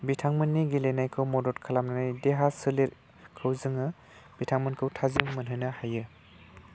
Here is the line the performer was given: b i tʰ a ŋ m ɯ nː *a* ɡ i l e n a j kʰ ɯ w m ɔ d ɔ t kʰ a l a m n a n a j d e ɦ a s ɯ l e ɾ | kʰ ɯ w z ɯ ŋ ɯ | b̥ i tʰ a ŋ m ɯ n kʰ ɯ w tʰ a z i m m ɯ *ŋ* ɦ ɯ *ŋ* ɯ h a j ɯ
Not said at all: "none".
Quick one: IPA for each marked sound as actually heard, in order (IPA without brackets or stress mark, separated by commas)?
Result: i, n, n